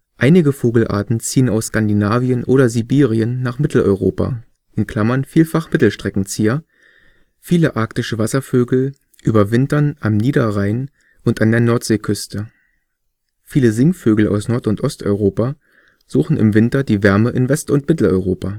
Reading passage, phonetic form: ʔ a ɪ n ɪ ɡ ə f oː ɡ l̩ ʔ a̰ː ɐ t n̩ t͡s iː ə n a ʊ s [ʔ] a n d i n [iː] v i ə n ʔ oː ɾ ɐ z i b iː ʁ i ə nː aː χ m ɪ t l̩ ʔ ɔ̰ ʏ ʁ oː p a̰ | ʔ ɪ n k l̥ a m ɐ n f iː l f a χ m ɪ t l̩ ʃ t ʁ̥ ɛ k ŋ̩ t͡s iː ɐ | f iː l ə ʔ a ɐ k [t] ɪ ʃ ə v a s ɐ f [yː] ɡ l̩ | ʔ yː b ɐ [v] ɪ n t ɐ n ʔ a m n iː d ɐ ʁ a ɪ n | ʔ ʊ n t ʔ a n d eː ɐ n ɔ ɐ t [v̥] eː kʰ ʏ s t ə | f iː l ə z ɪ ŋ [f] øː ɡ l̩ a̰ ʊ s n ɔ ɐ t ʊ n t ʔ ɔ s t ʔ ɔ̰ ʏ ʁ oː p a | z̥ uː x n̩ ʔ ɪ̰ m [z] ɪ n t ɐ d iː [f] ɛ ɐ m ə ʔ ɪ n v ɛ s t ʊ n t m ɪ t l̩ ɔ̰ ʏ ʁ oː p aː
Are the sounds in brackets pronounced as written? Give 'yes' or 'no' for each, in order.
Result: no, no, yes, no, yes, no, yes, no, no

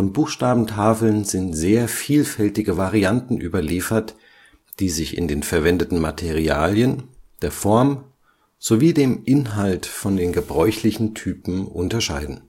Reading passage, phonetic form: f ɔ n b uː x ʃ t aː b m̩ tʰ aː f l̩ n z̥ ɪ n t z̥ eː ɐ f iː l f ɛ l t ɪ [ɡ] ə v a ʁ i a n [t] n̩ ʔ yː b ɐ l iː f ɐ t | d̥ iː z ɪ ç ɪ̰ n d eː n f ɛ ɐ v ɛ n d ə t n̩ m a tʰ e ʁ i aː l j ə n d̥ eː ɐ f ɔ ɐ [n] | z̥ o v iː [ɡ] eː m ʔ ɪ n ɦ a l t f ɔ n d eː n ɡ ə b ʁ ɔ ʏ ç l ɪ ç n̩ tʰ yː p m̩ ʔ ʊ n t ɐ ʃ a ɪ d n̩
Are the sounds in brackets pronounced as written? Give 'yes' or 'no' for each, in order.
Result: yes, yes, no, no

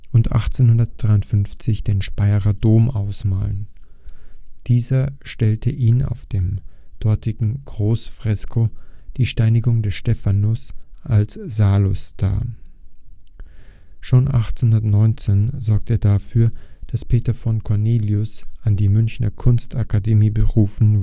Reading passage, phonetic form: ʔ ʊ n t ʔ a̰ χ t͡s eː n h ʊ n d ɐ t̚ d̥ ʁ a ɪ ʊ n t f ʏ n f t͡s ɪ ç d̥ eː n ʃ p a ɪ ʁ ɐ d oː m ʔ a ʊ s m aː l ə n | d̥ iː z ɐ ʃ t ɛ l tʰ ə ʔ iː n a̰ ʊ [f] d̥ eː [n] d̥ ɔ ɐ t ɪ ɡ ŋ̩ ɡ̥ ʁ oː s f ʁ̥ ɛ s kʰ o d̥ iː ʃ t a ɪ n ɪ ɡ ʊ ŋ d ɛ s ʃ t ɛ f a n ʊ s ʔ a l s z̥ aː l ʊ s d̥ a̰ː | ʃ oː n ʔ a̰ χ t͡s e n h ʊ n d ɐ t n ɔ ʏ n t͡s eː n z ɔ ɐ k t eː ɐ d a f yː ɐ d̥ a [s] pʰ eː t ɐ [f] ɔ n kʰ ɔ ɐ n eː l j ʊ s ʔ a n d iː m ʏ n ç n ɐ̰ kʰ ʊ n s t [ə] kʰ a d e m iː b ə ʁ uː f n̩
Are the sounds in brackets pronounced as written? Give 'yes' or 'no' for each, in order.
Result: yes, no, yes, yes, no

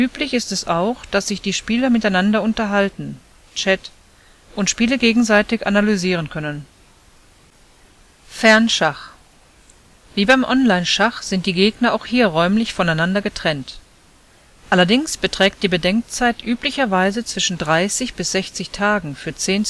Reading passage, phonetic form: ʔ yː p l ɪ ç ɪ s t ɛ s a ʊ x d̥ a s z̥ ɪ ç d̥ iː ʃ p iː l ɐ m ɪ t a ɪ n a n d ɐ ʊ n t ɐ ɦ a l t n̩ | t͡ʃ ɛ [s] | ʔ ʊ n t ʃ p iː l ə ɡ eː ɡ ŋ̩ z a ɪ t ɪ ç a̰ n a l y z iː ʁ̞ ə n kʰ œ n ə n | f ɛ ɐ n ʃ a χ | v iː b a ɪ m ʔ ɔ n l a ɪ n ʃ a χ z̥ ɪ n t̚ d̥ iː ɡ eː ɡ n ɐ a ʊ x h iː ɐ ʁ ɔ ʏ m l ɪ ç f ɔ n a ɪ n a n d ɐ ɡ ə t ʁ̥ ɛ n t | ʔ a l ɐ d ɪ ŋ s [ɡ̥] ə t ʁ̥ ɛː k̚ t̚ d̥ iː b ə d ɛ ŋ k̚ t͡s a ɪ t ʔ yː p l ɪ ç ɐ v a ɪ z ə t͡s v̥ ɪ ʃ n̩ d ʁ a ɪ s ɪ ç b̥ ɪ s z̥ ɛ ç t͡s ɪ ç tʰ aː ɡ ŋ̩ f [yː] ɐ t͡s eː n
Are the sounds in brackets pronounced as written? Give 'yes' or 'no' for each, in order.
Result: no, no, yes

